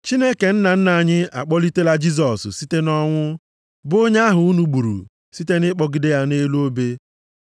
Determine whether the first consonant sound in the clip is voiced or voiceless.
voiceless